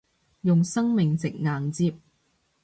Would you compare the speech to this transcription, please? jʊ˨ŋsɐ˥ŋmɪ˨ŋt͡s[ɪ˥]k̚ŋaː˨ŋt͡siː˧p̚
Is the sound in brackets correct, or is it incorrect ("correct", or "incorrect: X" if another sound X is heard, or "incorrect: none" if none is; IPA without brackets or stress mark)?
incorrect: ɪ˨